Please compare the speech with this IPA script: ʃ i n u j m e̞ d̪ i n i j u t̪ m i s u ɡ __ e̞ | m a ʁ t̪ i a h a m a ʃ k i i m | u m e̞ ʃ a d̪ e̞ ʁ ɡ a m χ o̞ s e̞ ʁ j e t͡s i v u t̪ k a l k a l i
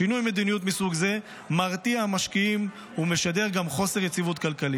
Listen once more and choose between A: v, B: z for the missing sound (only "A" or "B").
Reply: B